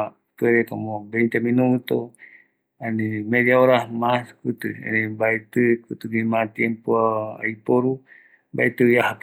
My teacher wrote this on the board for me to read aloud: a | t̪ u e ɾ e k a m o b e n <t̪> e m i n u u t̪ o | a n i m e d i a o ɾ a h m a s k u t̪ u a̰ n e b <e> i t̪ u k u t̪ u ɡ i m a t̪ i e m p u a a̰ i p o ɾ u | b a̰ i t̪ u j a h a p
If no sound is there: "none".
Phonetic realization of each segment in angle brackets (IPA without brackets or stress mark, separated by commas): t̪, a